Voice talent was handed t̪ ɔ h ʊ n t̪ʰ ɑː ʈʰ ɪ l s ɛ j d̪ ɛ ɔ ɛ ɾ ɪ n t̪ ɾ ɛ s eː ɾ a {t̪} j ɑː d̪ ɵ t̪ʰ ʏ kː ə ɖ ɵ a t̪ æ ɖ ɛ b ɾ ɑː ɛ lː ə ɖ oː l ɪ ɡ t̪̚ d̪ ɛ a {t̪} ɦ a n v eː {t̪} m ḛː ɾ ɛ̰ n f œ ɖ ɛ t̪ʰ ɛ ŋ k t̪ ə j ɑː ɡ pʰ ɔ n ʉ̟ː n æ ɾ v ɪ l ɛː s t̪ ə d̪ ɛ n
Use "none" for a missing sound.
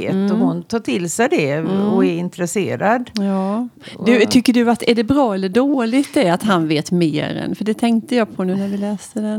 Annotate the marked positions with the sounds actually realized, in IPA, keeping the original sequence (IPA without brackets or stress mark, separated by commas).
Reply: d̪, t̪, t̪